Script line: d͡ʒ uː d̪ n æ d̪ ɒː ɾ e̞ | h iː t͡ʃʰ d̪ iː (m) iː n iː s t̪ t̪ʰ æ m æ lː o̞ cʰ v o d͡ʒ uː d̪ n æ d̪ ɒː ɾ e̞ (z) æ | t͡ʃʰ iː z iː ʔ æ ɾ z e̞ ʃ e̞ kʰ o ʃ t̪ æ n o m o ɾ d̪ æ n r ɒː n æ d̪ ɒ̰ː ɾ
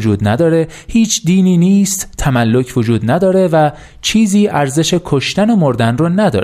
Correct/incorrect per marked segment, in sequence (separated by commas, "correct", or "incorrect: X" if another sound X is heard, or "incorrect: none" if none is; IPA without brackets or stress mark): incorrect: n, incorrect: v